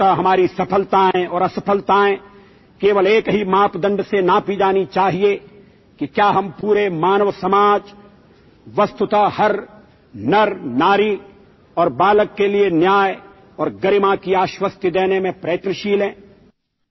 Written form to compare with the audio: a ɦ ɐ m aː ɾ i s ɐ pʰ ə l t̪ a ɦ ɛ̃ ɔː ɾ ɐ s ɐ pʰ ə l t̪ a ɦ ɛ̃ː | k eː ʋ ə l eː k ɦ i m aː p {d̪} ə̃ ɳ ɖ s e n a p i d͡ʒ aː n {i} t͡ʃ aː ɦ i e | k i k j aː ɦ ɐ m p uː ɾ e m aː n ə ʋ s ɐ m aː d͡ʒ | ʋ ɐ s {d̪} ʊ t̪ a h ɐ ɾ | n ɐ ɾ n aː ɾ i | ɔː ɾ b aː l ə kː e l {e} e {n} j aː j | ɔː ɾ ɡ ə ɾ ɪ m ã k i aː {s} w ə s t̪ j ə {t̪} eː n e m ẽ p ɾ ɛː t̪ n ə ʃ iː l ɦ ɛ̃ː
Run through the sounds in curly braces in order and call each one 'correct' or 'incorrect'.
correct, correct, incorrect: t̪, incorrect: i, correct, incorrect: ʃ, incorrect: d̪

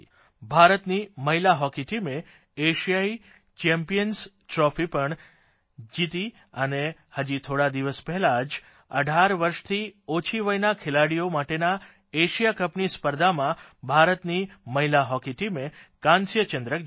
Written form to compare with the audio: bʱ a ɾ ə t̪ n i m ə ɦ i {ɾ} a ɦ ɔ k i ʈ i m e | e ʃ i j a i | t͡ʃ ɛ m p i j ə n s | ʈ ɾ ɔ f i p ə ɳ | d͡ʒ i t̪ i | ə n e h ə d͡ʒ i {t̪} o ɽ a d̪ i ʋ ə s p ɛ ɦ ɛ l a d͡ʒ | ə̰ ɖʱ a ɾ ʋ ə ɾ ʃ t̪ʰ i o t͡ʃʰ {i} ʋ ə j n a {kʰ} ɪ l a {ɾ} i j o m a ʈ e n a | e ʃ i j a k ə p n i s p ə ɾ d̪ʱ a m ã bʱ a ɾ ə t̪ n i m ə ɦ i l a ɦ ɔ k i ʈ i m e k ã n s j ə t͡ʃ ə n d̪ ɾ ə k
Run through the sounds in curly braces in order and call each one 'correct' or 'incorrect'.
incorrect: l, incorrect: t̪ʰ, correct, correct, incorrect: ɽ

